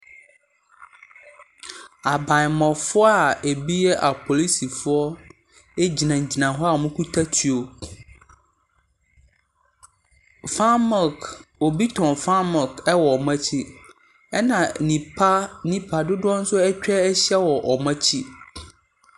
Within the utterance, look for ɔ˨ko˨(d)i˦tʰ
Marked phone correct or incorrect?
incorrect